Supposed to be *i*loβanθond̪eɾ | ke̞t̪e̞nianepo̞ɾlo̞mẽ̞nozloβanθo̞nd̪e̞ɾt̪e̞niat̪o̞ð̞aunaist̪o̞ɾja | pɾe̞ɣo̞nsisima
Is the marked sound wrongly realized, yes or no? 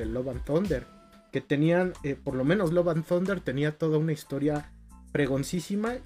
yes